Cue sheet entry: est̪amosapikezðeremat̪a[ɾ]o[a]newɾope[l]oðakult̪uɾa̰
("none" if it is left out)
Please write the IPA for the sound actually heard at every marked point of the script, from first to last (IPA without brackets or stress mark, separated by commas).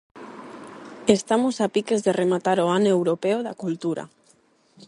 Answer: ɾ, a, none